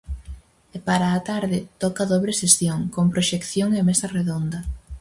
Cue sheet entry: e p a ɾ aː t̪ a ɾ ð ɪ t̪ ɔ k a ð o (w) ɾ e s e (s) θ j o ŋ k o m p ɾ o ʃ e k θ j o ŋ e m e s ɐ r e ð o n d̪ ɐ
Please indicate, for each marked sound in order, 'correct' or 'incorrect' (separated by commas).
incorrect, correct